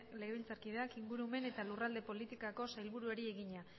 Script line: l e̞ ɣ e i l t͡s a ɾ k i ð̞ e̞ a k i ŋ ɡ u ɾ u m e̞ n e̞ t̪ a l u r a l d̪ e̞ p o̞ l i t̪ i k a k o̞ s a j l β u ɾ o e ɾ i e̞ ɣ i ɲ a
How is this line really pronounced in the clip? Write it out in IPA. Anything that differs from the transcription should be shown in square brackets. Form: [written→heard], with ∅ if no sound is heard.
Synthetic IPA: l e̞ ɣ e i l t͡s a ɾ k i ð̞ e̞ a k i ŋ ɡ u ɾ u m e̞ n e̞ t̪ a l u r a l d̪ e̞ p o̞ l i t̪ i k a k o̞ s a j l β u ɾ [o→u] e ɾ i e̞ ɣ i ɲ a